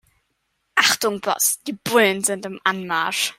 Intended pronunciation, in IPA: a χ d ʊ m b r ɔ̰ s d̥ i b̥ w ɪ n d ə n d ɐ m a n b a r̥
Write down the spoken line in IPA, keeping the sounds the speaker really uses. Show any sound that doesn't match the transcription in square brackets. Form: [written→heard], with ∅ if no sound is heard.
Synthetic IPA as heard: a χ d ʊ [m→ŋ] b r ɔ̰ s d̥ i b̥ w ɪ n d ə n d [ɐ→ə] m a n [b→m] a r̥